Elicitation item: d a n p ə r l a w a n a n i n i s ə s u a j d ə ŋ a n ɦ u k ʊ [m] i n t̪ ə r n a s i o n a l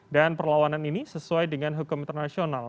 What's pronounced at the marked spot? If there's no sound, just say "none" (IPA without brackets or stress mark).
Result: m